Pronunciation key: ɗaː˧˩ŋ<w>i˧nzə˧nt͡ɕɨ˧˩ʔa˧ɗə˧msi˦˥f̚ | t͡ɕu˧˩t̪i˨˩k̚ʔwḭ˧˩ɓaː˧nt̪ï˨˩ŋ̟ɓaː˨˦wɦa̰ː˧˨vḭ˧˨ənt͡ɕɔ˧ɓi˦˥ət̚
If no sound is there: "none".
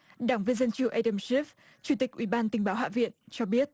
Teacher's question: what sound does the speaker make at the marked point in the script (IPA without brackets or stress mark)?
v